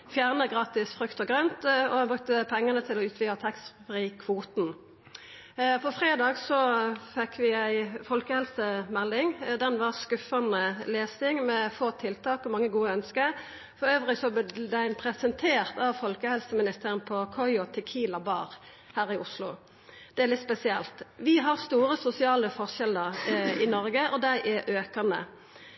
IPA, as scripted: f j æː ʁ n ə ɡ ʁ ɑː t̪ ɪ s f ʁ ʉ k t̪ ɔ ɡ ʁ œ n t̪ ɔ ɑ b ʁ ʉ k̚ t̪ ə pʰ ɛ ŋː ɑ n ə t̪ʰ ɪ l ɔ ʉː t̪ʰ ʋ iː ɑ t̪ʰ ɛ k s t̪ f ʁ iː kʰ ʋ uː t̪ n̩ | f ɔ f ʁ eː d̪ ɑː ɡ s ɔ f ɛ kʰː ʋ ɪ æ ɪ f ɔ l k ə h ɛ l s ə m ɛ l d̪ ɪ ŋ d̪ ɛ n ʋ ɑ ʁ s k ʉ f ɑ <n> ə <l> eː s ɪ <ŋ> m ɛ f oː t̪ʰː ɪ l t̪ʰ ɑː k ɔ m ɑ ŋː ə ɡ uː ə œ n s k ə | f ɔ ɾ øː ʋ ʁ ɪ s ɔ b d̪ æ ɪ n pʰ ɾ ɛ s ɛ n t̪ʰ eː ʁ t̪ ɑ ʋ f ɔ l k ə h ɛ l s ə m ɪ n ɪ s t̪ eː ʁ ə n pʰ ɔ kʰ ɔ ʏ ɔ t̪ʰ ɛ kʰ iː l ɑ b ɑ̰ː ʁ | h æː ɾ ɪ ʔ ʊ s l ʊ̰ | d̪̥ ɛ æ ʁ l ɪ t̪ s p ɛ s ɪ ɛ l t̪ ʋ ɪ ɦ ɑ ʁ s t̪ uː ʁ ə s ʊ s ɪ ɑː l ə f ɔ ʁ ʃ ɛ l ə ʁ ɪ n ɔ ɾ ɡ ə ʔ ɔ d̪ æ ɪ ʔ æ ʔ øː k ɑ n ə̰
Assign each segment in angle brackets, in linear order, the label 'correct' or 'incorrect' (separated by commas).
correct, correct, correct